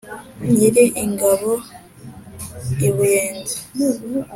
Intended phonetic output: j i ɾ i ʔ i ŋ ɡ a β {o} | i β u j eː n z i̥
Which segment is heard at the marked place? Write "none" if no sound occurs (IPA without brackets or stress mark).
o